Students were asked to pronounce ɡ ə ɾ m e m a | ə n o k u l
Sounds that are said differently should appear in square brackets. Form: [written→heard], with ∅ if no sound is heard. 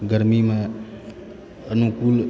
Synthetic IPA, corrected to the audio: ɡ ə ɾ m [e→i] m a | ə n [o→u] k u l

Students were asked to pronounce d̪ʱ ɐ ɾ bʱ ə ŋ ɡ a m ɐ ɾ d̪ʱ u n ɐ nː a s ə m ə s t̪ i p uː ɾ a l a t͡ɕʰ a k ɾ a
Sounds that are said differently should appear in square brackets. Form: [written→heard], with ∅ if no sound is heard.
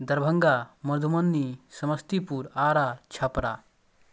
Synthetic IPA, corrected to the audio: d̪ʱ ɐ ɾ bʱ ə ŋ ɡ a m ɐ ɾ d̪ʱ u [n→m] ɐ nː [a→i] s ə m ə s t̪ i p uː ɾ a [l→ɾ] a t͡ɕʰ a [k→p] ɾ a

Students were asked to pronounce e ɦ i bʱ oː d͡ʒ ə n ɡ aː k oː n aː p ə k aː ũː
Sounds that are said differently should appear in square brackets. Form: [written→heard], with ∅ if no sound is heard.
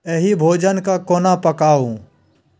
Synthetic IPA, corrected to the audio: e ɦ i bʱ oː d͡ʒ ə n [ɡ→k] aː k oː n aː p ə k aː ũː

